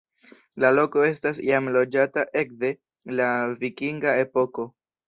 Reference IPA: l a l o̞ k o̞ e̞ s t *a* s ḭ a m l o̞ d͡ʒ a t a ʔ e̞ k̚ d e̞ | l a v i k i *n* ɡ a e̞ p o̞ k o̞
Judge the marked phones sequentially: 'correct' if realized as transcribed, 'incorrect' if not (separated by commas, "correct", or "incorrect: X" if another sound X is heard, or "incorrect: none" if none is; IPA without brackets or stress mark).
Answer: correct, incorrect: ŋ